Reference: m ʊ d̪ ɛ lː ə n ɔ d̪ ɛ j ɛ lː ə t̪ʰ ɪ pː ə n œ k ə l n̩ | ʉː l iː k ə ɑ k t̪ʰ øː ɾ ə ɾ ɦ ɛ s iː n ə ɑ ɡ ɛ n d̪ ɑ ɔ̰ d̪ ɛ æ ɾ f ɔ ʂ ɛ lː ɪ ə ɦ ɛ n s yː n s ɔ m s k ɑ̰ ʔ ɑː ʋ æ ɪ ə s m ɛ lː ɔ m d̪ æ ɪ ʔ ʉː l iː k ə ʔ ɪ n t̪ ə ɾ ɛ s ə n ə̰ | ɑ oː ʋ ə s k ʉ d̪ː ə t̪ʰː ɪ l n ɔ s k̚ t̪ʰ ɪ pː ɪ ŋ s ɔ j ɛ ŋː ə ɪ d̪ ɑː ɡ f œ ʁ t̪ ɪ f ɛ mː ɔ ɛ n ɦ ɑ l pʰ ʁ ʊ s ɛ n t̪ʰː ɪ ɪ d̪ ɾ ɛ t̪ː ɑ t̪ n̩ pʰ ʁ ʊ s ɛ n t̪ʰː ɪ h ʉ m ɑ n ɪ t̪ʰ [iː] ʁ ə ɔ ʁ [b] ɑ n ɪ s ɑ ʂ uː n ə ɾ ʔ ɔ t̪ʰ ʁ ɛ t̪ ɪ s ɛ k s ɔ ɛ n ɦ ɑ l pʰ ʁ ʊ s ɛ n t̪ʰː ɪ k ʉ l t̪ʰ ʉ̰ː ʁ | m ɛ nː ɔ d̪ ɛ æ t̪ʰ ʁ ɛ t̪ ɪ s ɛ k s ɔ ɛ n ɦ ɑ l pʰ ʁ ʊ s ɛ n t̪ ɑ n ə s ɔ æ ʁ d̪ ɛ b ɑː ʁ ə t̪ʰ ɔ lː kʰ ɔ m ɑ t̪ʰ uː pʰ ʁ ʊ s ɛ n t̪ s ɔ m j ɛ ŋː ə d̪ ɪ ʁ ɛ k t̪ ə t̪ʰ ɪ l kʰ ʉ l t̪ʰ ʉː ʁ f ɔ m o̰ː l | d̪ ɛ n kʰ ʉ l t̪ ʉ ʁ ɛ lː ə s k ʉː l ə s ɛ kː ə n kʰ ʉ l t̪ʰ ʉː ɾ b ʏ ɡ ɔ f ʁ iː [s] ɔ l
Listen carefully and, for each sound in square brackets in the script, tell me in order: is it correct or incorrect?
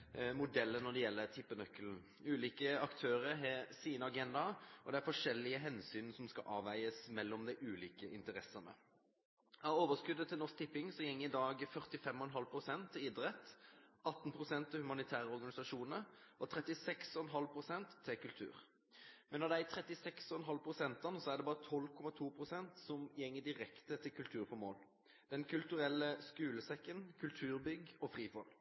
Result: incorrect, incorrect, incorrect

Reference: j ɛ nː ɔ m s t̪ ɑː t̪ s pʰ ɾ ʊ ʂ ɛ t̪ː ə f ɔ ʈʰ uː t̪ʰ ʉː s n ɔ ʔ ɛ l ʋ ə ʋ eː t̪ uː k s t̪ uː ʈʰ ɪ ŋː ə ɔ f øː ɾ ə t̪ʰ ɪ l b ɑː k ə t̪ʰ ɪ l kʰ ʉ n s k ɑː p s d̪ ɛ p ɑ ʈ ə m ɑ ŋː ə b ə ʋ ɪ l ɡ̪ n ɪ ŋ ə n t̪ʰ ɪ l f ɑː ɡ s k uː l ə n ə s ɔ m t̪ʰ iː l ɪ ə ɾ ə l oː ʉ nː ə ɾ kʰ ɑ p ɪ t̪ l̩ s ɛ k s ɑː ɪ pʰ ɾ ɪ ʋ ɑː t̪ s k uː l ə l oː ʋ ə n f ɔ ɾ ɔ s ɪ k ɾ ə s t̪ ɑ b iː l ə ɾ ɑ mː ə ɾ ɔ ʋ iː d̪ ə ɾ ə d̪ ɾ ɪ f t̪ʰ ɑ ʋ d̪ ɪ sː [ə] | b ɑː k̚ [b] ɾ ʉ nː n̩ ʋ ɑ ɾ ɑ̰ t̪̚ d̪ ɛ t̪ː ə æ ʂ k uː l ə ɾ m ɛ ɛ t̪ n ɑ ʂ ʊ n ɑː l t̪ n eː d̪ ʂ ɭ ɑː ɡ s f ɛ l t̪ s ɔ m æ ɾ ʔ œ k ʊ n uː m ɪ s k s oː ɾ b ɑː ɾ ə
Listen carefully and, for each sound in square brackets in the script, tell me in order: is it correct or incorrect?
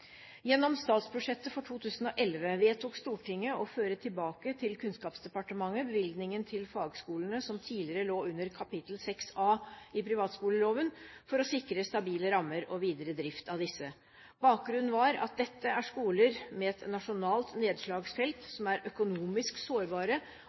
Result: correct, incorrect

